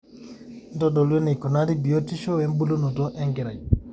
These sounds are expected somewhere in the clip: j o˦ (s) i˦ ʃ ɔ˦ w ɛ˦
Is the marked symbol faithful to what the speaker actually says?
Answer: no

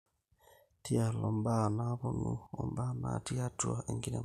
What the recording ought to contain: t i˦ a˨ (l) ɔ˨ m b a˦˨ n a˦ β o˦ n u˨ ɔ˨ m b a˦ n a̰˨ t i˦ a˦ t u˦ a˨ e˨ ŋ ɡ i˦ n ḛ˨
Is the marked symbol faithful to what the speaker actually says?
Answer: yes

